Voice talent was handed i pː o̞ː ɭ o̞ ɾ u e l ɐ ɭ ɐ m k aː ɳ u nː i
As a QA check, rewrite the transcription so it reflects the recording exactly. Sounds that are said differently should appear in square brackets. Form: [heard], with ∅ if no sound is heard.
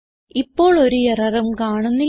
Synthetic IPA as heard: i pː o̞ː ɭ o̞ ɾ u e [r] ɐ [r] ɐ m k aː ɳ u nː i